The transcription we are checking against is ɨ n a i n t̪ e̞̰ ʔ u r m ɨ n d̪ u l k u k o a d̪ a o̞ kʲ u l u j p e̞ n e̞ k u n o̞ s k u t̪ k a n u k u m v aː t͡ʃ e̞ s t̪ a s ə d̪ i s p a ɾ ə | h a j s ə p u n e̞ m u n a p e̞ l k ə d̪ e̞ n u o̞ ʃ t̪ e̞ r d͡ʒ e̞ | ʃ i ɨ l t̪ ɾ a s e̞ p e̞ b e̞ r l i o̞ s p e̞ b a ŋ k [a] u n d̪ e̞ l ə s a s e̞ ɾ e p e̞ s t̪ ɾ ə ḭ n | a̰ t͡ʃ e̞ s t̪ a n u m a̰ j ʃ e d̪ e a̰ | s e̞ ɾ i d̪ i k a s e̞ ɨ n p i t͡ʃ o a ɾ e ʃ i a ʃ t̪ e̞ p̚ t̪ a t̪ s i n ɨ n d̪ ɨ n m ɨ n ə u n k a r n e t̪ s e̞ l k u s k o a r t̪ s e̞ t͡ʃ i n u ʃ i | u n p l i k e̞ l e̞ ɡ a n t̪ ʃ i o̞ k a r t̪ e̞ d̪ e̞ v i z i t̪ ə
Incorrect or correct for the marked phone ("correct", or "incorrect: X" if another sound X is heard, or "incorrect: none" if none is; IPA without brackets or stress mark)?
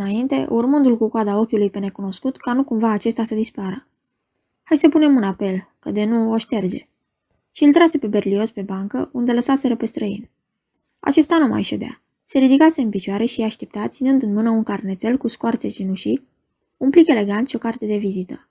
incorrect: ə